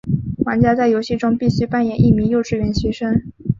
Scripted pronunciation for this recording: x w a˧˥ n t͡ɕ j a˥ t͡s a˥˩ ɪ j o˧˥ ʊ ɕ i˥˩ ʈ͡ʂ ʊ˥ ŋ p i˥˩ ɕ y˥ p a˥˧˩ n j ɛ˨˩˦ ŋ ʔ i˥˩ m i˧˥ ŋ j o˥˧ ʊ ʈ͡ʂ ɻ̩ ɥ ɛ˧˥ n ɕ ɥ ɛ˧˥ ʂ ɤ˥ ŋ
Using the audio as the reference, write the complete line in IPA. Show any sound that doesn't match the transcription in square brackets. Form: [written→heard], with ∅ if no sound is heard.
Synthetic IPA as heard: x w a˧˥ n t͡ɕ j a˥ t͡s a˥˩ ɪ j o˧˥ ʊ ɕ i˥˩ ʈ͡ʂ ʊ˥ ŋ p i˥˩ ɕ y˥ p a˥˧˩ n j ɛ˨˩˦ [ŋ→n] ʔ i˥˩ m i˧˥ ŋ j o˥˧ ʊ ʈ͡ʂ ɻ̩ ɥ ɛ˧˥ n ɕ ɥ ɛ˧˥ ʂ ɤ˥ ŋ